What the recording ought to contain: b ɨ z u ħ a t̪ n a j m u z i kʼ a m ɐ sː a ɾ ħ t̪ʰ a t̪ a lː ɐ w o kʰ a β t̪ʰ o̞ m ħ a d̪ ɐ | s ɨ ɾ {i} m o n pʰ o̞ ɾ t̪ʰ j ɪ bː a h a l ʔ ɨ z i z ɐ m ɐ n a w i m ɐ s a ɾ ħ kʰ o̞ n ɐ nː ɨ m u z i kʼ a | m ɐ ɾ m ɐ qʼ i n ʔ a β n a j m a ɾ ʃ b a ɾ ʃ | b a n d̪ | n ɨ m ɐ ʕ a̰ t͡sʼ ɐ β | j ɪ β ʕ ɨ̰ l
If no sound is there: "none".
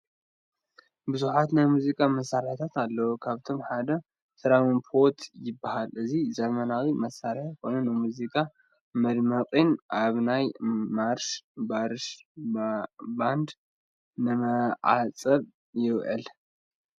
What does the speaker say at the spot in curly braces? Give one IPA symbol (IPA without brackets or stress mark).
a